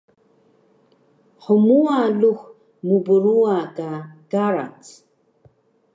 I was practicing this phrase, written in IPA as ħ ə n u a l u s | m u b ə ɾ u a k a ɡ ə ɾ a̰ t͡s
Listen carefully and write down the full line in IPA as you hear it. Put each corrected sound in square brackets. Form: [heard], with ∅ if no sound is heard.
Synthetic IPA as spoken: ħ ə [m] u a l u [x] | m u b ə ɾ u a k a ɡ [a] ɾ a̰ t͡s